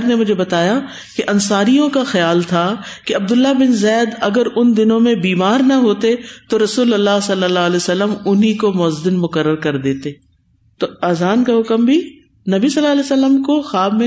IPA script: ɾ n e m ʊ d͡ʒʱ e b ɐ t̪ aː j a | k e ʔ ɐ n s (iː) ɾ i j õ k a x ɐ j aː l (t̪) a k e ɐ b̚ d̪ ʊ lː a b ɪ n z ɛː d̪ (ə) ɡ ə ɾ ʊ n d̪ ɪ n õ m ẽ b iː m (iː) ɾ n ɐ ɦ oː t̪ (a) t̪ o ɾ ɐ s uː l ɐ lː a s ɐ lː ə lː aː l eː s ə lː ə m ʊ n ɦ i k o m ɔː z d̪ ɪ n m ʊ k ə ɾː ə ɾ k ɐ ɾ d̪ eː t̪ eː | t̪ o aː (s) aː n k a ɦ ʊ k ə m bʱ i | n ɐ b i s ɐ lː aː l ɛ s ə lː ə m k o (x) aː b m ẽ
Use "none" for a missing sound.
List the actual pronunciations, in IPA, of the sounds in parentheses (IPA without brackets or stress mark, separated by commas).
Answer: aː, t̪ʰ, ɐ, aː, e, z, x